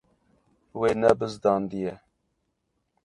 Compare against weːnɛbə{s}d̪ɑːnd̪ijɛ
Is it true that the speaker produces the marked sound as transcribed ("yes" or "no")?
no